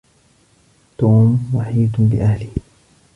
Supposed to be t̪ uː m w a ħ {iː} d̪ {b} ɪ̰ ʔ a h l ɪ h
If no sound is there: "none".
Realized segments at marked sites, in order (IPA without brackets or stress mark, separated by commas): iː, b